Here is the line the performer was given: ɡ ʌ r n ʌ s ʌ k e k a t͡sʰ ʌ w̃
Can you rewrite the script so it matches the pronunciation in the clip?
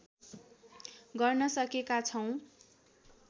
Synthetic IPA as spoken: ɡ ʌ r n ʌ s ʌ k e k a t͡sʰ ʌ w̃

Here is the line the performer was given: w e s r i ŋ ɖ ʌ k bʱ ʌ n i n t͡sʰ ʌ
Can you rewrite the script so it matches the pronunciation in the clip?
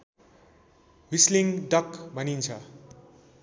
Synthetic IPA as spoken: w i s l i ŋ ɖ ʌ k bʱ ʌ n i n t͡sʰ ʌ

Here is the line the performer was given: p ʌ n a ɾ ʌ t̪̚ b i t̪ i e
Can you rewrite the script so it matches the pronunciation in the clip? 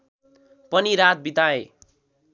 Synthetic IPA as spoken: p ʌ n i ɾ a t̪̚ b i t̪ a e

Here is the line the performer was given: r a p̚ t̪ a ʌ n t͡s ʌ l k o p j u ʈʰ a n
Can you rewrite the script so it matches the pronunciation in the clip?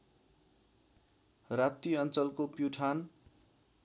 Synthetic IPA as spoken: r a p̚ t̪ i ʌ n t͡s ʌ l k o p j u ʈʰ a n

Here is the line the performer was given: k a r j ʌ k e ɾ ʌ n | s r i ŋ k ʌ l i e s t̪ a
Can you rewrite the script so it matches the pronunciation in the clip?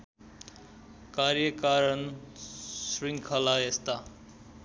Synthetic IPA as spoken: k a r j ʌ k a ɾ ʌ n | s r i ŋ kʰ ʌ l a e s t̪ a

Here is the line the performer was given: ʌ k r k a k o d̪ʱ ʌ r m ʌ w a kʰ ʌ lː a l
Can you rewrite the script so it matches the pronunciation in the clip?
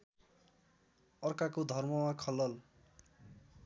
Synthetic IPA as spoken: ʌ r k a k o d̪ʱ ʌ r m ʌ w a kʰ ʌ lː ʌ l

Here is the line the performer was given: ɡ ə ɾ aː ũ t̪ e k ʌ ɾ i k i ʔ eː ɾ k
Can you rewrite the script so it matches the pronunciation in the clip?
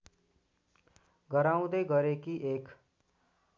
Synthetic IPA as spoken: ɡ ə ɾ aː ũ d̪ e ɡ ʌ ɾ e k i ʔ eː k

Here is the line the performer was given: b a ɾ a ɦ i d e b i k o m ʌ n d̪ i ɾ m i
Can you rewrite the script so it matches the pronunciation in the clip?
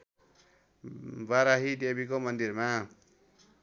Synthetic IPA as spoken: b a ɾ a ɦ i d e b i k o m ʌ n d̪ i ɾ m a

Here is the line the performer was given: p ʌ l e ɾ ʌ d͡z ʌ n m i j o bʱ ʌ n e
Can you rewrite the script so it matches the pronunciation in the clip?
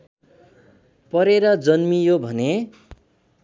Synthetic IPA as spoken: p ʌ ɾ e ɾ ʌ d͡z ʌ n m i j o bʱ ʌ n e

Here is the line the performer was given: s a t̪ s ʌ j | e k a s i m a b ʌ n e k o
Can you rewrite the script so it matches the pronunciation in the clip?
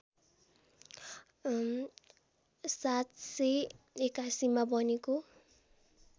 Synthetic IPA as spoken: s a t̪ s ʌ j | e k a s i m a b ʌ n e k o

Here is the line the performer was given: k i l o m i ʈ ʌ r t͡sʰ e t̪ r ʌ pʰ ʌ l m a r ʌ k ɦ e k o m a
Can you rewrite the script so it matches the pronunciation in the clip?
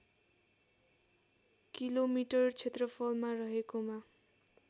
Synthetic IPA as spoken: k i l o m i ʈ ʌ r t͡sʰ e t̪ r ʌ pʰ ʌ l m a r ʌ ɦ e k o m a

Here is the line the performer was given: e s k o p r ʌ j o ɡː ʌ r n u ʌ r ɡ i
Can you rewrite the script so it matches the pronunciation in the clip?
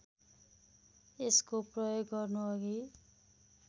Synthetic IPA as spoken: e s k o p r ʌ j o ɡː ʌ r n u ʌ ɡ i

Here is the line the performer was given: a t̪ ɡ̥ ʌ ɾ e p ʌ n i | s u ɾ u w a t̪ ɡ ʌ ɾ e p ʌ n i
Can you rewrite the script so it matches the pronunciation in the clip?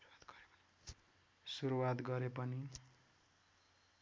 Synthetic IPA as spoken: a t̪ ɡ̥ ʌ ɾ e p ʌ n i | s u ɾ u w a t̪ ɡ ʌ ɾ e p ʌ n i

